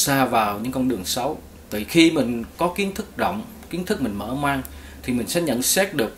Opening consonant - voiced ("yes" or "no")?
no